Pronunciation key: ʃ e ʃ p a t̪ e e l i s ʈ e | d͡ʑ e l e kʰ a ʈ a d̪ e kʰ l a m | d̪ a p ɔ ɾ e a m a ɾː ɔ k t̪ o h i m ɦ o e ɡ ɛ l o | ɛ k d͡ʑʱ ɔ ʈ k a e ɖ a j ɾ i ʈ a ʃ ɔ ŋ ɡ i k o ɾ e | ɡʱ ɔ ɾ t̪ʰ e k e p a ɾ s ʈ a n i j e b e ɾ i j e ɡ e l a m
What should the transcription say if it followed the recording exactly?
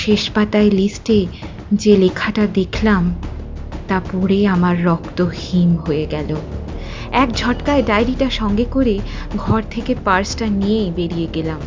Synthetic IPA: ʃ e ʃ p a t̪ a e l i s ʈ e | d͡ʑ e l e kʰ a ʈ a d̪ e kʰ l a m | t̪ a p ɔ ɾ e a m a ɾː ɔ k t̪ o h i m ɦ o e ɡ ɛ l o | ɛ k d͡ʑʱ ɔ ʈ k a e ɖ a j ɾ i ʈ a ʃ ɔ ŋ ɡ e k o ɾ e | ɡʱ ɔ ɾ t̪ʰ e k e p a ɾ s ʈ a n i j e b e ɾ i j e ɡ e l a m